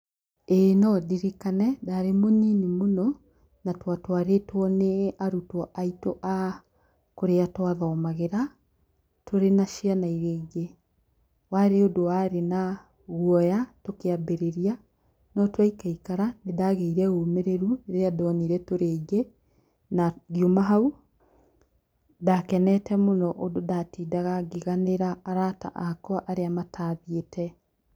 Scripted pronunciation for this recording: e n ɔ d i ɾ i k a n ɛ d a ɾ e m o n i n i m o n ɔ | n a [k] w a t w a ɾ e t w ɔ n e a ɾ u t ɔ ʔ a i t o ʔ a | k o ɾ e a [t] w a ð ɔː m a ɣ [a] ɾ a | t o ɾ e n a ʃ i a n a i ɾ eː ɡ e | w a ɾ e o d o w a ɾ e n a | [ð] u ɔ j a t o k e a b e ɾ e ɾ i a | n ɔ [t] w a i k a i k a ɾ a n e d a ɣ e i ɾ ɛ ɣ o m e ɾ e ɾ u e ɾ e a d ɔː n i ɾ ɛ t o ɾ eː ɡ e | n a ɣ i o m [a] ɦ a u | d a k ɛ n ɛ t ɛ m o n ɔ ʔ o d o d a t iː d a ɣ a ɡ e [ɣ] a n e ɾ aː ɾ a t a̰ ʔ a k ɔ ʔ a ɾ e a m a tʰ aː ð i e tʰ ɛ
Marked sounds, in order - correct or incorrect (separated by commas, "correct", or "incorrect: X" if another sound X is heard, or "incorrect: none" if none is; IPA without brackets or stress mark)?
incorrect: t, correct, incorrect: e, incorrect: ɣ, correct, correct, correct